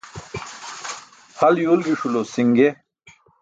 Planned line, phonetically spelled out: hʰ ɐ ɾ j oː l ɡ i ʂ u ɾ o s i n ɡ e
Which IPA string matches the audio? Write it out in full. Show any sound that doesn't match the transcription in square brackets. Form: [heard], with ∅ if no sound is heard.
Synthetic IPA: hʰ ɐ [l] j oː l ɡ i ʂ u [l] o s i [ŋ] ɡ e